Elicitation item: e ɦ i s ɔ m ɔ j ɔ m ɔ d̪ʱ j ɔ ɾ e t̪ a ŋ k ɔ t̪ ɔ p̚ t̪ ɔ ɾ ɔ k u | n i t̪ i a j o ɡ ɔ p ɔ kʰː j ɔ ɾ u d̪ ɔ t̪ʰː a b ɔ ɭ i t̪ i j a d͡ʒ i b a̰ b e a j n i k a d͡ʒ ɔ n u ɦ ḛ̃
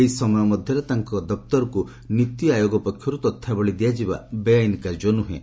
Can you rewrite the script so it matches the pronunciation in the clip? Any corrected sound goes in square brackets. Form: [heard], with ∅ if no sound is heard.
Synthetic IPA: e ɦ i s ɔ m ɔ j ɔ m ɔ d̪ʱ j ɔ ɾ e t̪ a ŋ k ɔ [d̪] ɔ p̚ t̪ ɔ ɾ ɔ k u | n i t̪ i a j o ɡ ɔ p ɔ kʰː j ɔ ɾ u [t̪] ɔ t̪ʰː a b ɔ ɭ i [d̪] i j a d͡ʒ i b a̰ b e a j n i k a d͡ʒ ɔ n u ɦ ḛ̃